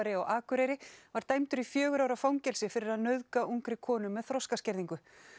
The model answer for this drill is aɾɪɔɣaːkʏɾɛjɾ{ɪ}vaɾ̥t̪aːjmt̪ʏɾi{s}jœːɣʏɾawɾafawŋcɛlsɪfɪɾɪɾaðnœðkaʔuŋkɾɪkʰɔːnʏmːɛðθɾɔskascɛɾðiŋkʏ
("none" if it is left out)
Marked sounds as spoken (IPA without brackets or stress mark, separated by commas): ɪ, f